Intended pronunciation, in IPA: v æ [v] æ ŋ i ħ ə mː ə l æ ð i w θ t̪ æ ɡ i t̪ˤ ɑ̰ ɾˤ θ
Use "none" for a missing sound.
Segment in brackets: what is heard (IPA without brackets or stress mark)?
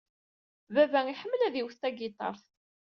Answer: v